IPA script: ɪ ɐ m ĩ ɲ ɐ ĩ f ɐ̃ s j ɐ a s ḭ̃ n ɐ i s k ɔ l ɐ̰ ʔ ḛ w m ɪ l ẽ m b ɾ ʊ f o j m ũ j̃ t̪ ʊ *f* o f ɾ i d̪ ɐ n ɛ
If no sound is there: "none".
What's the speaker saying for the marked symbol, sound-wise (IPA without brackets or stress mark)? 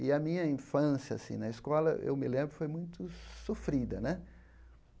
s